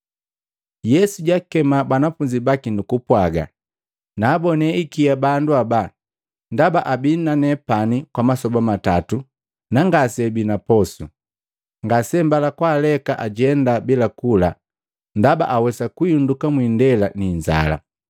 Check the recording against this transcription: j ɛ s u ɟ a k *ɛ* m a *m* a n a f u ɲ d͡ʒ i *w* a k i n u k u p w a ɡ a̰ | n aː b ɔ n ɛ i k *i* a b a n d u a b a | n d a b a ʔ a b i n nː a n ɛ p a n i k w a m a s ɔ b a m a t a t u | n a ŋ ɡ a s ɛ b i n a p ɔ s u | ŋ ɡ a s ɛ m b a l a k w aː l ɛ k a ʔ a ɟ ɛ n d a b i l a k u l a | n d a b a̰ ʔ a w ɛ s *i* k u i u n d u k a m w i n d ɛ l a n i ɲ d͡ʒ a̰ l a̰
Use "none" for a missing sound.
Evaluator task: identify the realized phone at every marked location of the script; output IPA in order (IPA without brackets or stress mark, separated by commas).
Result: ɛ, b, b, i, a